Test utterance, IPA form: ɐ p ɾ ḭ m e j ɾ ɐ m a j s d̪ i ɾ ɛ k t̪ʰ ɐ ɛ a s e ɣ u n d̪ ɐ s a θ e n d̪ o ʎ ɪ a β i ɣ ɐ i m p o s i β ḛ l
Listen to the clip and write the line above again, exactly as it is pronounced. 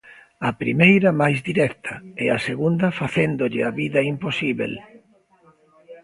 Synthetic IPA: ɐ p ɾ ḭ m e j ɾ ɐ m a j z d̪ i ɾ ɛ k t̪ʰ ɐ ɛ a s e ɣ u n d̪ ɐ f a θ e n d̪ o ʎ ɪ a β i ð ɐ i m p o s i β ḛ l